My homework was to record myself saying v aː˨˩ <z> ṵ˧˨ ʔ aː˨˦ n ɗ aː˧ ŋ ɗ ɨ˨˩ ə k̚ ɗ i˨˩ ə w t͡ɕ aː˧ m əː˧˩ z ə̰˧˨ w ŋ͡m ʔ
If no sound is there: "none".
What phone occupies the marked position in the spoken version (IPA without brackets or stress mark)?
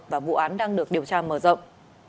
v